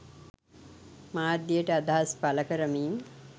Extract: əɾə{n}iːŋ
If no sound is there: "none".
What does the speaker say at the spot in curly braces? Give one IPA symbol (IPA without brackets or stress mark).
m